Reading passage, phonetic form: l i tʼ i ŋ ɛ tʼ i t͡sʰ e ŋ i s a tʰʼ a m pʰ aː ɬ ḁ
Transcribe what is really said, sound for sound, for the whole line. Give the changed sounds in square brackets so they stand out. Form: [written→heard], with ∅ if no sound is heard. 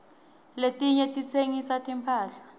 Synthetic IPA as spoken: l [i→e] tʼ i [ŋ→ɲ] ɛ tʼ i t͡sʰ e ŋ i s a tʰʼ [a→i] m pʰ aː ɬ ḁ